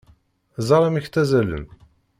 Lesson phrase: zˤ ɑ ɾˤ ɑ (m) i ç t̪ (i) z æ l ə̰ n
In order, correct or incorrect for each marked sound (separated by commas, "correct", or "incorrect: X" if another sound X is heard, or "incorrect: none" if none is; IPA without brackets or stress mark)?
correct, incorrect: æ